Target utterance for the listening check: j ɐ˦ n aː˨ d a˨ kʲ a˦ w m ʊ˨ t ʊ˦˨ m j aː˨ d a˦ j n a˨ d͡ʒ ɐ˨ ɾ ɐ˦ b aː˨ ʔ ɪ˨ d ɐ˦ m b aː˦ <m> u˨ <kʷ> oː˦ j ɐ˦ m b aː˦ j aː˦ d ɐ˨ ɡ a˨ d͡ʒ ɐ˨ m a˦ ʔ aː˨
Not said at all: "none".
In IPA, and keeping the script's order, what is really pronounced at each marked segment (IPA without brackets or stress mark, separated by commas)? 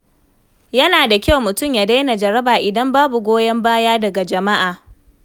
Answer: b, ɡʷ